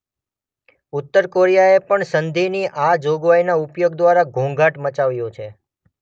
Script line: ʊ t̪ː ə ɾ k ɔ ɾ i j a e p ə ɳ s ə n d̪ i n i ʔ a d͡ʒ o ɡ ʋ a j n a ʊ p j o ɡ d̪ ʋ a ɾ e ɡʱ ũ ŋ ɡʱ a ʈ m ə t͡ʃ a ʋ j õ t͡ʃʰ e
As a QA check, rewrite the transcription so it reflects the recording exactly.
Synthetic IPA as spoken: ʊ t̪ː ə ɾ k o ɾ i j a e p ə ɳ s ə n d̪ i n i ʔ a d͡ʒ o ɡ ʋ a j n a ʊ p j o ɡ d̪ ʋ a ɾ a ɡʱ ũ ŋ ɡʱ a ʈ m ə t͡ʃ a ʋ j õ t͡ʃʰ e